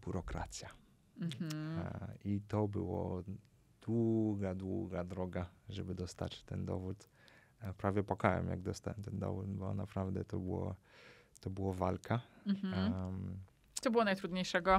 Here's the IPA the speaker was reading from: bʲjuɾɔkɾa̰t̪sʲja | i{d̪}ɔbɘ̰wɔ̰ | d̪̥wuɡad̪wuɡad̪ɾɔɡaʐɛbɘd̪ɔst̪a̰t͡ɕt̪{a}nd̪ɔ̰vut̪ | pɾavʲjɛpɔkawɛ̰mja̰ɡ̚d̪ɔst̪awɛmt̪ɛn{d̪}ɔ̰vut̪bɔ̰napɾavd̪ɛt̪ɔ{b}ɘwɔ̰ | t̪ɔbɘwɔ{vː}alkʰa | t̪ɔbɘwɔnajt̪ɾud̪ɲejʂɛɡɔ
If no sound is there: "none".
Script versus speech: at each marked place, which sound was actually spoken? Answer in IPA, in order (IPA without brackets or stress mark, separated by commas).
t̪, ɛ, d̪, b, v